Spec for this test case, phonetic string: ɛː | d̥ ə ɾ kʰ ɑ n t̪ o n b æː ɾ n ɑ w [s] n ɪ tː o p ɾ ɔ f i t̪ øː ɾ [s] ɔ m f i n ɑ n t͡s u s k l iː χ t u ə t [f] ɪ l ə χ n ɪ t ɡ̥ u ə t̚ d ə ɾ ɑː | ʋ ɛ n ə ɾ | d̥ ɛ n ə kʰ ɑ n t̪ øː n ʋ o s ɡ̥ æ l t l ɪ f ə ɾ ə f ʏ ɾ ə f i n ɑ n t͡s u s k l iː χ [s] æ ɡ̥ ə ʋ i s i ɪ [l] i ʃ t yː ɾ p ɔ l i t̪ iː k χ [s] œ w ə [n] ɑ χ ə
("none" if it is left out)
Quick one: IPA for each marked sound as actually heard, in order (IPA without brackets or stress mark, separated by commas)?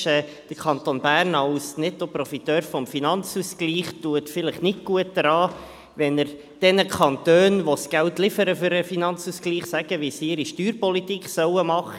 s, f, f, s, ɾ, s, m